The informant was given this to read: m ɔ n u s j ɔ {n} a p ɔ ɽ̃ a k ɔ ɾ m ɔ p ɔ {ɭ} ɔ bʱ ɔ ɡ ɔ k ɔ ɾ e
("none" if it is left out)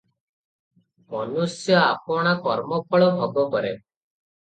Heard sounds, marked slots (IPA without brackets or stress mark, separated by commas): none, ɭ